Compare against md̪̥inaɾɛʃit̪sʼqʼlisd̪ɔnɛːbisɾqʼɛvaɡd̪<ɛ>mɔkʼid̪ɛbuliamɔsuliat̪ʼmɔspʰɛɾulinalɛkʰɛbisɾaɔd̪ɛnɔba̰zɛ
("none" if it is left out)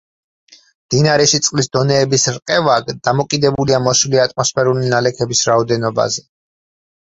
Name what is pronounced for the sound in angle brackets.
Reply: a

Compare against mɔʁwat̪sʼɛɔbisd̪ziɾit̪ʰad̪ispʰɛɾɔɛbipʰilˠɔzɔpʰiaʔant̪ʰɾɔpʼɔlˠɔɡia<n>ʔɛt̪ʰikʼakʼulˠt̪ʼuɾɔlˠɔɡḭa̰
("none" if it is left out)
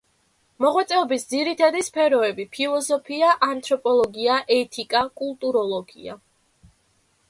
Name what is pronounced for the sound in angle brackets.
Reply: none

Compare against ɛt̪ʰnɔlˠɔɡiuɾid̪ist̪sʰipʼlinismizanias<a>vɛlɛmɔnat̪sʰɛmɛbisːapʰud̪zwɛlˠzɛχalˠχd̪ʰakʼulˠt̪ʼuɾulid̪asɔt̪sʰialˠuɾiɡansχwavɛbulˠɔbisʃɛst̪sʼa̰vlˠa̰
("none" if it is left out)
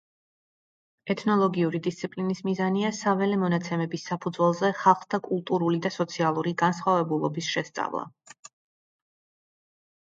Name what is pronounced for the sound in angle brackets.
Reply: a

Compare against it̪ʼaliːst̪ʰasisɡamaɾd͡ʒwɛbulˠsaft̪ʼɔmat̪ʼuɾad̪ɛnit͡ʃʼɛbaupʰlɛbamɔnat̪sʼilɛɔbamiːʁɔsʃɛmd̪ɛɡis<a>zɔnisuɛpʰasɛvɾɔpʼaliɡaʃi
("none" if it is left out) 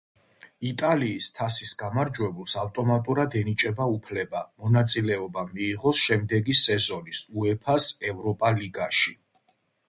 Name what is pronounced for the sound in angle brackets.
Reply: ɛ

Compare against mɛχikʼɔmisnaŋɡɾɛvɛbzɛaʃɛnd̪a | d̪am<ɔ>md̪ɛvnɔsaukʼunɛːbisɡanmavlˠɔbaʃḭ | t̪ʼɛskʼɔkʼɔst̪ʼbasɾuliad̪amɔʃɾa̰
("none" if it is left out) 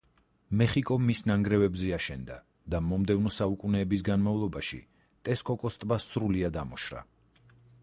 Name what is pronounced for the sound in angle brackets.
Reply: ɔ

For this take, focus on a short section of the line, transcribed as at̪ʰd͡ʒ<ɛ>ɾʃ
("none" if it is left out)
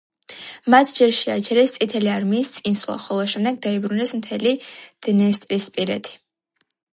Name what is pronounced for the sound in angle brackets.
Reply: ɛ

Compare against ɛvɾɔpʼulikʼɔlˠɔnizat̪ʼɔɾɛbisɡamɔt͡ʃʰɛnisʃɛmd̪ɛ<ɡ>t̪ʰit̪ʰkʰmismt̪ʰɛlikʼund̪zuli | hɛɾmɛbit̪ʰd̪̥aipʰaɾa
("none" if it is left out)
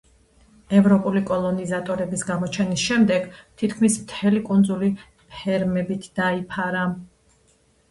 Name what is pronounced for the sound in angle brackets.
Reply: ɡ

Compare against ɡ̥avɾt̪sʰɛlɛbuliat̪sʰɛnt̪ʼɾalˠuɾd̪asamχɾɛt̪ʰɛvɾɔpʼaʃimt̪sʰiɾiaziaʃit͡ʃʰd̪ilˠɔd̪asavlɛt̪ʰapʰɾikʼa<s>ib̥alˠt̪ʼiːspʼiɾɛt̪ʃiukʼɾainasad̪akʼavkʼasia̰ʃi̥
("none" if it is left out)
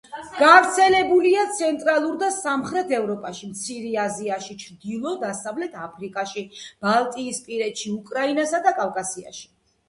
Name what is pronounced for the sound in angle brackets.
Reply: ʃ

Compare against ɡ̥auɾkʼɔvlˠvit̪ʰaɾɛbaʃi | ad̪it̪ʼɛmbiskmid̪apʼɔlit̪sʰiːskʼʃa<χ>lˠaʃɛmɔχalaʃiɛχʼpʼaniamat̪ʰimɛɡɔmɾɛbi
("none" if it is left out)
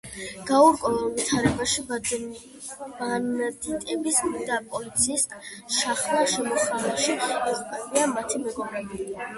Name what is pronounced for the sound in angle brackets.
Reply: χ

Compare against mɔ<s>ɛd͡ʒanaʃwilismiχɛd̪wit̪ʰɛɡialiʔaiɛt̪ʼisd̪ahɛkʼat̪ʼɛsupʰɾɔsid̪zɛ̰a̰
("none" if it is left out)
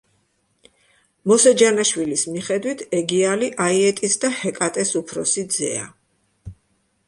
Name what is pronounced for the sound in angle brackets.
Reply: s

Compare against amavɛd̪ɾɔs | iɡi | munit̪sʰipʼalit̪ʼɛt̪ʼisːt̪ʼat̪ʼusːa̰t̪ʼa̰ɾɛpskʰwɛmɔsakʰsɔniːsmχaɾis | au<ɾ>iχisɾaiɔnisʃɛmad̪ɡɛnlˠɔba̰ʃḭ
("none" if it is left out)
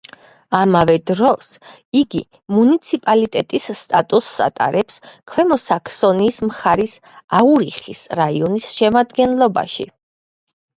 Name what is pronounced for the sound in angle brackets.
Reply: ɾ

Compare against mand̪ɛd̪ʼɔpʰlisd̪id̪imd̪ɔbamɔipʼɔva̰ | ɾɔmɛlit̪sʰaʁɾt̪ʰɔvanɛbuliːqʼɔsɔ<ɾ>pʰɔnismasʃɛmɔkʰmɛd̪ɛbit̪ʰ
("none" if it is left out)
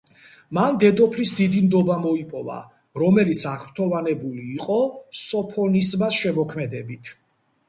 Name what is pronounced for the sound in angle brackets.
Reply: none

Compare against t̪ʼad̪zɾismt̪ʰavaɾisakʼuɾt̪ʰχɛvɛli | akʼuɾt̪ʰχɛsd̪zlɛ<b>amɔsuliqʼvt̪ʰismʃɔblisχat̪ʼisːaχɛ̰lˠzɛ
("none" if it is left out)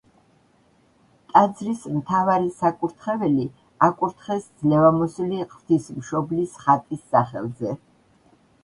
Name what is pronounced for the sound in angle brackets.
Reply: v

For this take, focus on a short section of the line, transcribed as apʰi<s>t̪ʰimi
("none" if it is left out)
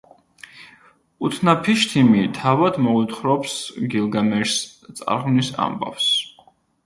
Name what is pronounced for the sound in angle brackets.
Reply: ʃ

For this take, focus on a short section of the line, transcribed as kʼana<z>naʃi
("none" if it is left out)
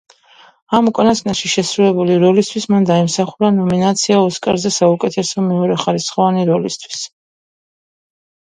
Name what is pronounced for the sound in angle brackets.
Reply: s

